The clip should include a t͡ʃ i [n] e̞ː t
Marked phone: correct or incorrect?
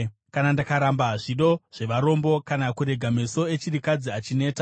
correct